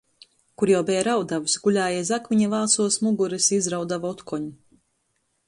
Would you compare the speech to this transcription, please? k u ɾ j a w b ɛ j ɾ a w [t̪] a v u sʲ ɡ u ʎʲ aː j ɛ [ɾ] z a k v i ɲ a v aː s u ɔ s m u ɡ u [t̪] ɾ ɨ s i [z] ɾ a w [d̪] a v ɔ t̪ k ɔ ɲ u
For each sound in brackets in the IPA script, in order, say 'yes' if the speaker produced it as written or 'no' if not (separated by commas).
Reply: no, no, no, yes, yes